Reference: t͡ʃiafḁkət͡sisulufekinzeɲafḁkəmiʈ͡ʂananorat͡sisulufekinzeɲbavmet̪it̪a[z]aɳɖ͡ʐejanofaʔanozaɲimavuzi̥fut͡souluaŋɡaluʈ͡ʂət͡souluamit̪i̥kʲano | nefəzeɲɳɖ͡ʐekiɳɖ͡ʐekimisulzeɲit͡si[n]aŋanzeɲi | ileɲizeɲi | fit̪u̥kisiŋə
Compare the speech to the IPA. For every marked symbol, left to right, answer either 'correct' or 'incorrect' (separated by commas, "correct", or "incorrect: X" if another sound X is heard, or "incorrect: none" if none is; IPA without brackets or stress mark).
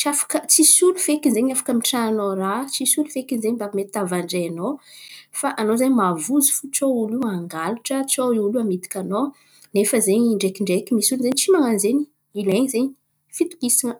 incorrect: v, incorrect: m